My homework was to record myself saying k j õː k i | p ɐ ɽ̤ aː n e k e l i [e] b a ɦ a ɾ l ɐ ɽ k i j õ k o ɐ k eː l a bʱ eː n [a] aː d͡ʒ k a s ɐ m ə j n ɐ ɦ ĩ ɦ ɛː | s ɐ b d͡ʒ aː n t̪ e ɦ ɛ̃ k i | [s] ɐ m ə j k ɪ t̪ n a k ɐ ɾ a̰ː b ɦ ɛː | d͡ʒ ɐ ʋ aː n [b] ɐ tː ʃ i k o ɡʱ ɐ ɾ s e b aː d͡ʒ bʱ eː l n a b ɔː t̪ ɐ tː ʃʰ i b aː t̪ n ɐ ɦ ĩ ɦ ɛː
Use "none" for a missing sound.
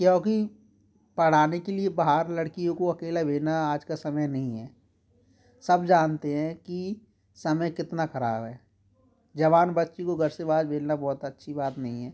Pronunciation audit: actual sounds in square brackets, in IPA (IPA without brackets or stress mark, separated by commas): e, a, s, b